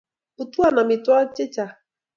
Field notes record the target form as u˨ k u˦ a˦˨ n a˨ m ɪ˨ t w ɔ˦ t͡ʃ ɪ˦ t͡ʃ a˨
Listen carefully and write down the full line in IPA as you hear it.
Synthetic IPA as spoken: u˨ t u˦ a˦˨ n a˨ m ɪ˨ t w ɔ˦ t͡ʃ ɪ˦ t͡ʃ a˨